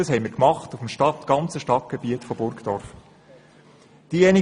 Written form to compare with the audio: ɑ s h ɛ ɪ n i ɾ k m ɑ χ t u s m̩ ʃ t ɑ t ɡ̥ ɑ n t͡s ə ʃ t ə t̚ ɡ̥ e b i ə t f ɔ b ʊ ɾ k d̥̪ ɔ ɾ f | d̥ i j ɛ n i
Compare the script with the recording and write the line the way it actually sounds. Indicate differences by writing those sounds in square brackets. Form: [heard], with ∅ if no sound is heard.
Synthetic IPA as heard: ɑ s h ɛ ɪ [m] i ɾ k m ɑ χ t u [f] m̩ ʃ t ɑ t ɡ̥ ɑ n t͡s ə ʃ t [ɑ] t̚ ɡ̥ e b i ə t f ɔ b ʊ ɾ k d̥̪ ɔ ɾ f | d̥ i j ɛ n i